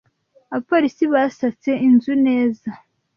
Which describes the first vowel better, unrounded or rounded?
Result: unrounded